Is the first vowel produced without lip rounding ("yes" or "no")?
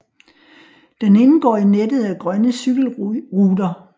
yes